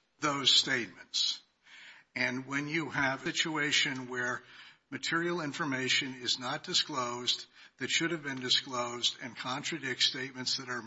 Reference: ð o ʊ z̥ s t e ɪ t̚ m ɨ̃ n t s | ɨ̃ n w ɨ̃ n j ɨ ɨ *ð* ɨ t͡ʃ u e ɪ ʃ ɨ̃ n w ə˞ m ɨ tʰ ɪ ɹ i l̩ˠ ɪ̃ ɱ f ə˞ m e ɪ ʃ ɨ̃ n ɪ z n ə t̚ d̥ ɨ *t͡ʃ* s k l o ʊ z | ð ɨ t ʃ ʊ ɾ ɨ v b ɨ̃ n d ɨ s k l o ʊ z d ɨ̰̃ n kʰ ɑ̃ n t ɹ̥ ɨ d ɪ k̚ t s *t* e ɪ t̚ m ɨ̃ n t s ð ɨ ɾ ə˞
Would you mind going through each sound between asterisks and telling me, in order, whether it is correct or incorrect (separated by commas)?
incorrect, incorrect, correct